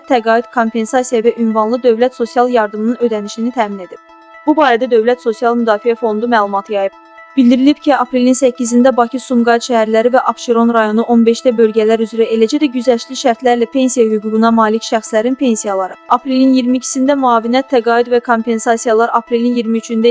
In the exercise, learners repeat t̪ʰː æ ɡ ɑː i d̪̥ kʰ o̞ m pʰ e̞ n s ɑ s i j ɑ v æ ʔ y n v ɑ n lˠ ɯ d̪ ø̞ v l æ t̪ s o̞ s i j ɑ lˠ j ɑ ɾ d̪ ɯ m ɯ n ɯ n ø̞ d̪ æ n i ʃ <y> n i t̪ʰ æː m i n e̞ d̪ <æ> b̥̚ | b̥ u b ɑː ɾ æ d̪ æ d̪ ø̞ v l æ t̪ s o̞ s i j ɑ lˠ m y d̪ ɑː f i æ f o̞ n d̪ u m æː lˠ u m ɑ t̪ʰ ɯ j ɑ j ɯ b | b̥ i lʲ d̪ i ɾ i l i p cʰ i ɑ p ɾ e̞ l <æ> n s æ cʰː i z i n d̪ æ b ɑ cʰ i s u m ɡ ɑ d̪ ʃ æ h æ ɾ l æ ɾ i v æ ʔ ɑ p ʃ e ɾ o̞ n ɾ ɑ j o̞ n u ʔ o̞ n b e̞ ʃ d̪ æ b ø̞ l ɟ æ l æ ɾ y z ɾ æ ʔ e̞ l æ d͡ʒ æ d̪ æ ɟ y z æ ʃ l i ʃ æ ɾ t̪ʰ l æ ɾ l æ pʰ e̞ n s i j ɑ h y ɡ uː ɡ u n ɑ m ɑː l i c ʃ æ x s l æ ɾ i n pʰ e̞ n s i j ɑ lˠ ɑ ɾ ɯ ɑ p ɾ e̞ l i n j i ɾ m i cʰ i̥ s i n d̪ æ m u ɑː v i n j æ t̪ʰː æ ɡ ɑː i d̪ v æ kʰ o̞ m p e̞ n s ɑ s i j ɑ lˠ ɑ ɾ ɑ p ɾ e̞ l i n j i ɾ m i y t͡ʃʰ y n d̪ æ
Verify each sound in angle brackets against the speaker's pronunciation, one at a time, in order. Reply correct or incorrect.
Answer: incorrect: i, incorrect: i, incorrect: i

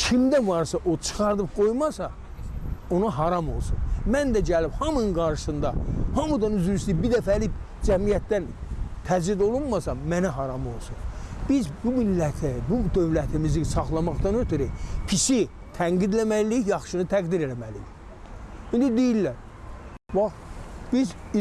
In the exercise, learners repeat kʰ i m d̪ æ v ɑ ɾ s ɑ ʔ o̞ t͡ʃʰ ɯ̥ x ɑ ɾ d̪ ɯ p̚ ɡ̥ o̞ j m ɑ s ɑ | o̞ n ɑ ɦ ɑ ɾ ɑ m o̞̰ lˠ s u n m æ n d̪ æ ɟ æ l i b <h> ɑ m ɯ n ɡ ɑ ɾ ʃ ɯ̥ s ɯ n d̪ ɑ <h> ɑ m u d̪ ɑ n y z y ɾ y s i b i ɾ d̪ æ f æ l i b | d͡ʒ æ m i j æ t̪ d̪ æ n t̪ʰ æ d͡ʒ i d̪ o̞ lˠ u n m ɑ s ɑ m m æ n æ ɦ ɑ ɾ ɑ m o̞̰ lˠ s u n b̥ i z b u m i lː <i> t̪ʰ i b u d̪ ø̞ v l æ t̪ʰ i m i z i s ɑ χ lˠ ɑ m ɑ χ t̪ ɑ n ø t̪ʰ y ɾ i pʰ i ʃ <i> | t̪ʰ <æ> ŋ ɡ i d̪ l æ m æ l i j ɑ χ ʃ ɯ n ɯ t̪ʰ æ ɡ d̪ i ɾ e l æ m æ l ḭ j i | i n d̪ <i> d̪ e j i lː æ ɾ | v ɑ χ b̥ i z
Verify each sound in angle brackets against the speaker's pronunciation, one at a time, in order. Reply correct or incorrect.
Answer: correct, correct, incorrect: æ, correct, correct, correct

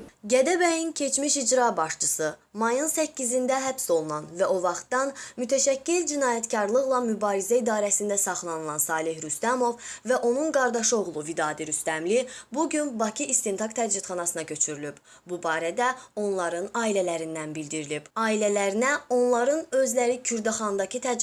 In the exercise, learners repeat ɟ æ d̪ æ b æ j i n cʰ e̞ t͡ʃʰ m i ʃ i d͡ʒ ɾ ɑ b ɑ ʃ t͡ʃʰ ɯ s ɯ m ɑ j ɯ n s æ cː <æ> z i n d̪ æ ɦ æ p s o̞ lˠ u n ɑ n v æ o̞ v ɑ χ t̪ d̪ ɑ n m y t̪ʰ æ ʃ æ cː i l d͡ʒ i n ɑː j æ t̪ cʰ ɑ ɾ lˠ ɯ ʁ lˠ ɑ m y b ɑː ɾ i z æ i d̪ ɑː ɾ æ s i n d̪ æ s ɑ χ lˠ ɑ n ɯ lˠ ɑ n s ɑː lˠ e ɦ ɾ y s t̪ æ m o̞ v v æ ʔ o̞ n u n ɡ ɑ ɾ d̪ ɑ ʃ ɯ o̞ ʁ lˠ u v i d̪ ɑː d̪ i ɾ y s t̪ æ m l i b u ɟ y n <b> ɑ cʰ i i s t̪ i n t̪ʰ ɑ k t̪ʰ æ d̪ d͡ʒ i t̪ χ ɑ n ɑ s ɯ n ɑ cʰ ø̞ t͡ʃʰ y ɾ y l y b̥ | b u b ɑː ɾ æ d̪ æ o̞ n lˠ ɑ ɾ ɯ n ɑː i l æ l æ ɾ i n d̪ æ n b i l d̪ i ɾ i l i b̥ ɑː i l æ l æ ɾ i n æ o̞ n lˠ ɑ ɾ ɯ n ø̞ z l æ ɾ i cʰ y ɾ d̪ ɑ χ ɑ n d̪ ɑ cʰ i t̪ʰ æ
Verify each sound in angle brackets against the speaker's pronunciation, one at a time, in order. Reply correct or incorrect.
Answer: incorrect: i, correct

